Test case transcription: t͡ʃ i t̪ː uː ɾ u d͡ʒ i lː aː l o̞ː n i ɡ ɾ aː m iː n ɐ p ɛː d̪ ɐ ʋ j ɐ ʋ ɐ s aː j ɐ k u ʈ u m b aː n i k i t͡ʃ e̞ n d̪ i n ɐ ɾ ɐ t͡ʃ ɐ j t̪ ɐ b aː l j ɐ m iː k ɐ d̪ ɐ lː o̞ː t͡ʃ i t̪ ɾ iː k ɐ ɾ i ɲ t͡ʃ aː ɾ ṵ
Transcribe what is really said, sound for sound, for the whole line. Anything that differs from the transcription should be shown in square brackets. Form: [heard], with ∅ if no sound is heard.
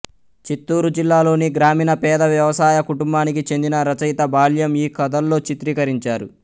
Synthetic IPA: t͡ʃ i t̪ː uː ɾ u d͡ʒ i lː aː l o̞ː n i ɡ ɾ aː m iː n ɐ p ɛː d̪ ɐ ʋ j ɐ ʋ ɐ s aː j ɐ k u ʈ u m b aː n i k i t͡ʃ e̞ n d̪ i n ɐ ɾ ɐ t͡ʃ ɐ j t̪ ɐ b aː l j ɐ m iː k ɐ d̪ ɐ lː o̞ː t͡ʃ i t̪ ɾ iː k ɐ ɾ i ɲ t͡ʃ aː ɾ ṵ

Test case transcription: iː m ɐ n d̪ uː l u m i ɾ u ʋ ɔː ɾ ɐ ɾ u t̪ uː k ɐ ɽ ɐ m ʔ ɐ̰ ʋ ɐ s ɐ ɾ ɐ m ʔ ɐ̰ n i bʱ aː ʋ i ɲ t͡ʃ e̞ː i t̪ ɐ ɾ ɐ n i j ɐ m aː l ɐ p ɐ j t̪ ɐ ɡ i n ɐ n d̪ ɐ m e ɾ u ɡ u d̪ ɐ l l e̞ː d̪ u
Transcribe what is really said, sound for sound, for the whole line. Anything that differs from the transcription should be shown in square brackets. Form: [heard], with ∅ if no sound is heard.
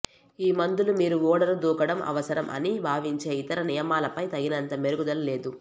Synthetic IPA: iː m ɐ n d̪ [u] l u m [iː] ɾ u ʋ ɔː [ɽ] ɐ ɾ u [d̪] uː k ɐ ɽ ɐ m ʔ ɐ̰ ʋ ɐ s ɐ ɾ ɐ m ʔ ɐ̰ n i bʱ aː ʋ i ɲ t͡ʃ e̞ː i t̪ ɐ ɾ ɐ n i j ɐ m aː l ɐ p ɐ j t̪ ɐ ɡ i n ɐ n [t̪] ɐ m e ɾ u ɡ u d̪ ɐ l l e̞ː d̪ u

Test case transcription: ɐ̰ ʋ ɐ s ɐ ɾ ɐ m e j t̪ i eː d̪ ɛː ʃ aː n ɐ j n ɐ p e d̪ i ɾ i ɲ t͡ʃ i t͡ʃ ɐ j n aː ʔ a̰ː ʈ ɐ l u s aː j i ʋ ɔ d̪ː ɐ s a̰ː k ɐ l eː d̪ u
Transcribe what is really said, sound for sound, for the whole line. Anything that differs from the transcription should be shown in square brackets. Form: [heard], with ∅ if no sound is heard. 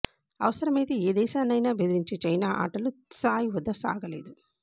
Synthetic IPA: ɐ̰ ʋ ɐ s ɐ ɾ ɐ m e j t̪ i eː d̪ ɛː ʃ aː n ɐ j n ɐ [b] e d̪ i ɾ i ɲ t͡ʃ i t͡ʃ ɐ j n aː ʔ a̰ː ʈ ɐ l u s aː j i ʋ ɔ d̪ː ɐ s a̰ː [ɡ] ɐ l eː d̪ u

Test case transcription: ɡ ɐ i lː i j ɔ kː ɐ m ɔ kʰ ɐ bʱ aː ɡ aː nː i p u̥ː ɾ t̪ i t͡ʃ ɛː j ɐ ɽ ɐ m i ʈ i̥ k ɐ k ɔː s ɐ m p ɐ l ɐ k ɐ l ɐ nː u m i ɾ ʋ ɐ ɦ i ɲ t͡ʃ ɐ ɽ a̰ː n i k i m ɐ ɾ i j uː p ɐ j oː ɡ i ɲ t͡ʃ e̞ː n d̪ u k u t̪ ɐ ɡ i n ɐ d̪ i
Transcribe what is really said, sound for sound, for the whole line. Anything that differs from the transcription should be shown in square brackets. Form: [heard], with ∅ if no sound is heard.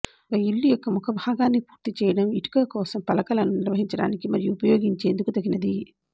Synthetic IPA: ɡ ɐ i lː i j ɔ kː ɐ m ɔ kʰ ɐ bʱ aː ɡ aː nː i p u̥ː ɾ t̪ i t͡ʃ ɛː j ɐ ɽ ɐ m i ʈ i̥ k ɐ k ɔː s ɐ m p ɐ l ɐ k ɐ l ɐ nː u [n] i ɾ ʋ ɐ ɦ i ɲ t͡ʃ ɐ ɽ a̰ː n i k i m ɐ ɾ i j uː p ɐ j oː ɡ i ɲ t͡ʃ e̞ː n d̪ u k u t̪ ɐ ɡ i n ɐ d̪ i

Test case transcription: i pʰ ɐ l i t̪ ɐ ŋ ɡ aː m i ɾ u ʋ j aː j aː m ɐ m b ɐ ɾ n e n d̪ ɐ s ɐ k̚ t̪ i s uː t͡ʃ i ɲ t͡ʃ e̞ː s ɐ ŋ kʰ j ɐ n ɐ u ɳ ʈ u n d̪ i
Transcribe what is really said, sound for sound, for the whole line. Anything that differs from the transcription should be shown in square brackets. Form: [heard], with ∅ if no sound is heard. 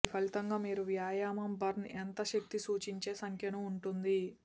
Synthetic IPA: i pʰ ɐ l i t̪ ɐ ŋ ɡ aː m [iː] ɾ u ʋ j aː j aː m ɐ m b ɐ ɾ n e n [t̪] ɐ [ʃ] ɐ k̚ t̪ i s uː t͡ʃ i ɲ t͡ʃ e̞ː s ɐ ŋ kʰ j ɐ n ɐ u ɳ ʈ u n d̪ i

